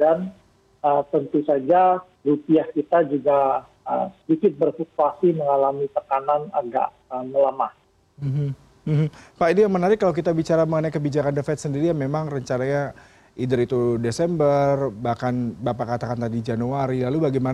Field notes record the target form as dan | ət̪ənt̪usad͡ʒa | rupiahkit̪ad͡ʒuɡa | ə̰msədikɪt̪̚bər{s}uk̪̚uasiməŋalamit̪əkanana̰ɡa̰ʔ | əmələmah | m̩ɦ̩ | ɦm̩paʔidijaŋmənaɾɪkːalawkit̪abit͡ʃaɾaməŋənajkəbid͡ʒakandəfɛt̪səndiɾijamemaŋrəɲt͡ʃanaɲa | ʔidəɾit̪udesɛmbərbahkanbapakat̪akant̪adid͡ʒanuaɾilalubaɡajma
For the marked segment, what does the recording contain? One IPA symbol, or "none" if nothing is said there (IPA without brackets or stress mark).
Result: f